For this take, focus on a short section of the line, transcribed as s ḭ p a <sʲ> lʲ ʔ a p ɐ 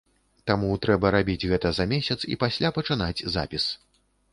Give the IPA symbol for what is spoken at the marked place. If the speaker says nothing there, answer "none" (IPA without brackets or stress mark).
sʲ